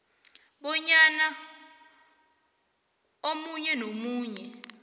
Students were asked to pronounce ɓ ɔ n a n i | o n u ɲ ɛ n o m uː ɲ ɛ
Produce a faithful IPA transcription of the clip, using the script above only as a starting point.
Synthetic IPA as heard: ɓ ɔ ɲ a n a | o m u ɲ ɛ n o m uː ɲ ɛ